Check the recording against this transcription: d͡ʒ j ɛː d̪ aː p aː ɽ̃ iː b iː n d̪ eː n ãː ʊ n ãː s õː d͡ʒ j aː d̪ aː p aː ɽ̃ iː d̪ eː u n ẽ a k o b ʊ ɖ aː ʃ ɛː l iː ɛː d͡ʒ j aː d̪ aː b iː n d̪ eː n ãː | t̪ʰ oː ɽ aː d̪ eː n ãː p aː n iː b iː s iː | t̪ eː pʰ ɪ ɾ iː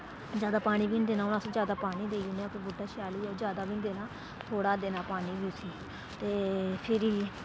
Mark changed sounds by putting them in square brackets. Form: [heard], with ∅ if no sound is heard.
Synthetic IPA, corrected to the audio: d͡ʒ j [aː] d̪ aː p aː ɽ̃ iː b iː n d̪ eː n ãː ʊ n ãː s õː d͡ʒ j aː d̪ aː p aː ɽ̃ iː d̪ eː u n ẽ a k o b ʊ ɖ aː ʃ [aː] l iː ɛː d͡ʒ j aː d̪ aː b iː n d̪ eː n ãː | t̪ʰ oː ɽ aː d̪ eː n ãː p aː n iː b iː s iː | t̪ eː pʰ ɪ ɾ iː